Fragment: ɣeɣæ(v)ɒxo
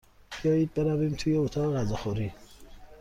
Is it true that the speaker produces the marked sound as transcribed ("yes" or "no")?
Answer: no